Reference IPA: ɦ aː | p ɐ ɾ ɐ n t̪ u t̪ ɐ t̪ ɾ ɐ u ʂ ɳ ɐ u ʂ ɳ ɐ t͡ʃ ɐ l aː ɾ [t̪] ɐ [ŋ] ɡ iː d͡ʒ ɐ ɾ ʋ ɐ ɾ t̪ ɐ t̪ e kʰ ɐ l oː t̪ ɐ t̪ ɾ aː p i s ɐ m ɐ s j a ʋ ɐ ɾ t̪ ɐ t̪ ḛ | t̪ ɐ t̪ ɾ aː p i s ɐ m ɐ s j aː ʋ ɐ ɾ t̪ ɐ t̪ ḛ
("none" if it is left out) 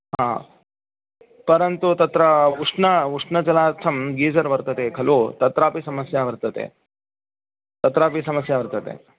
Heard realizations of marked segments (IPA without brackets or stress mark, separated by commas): t̪ʰ, m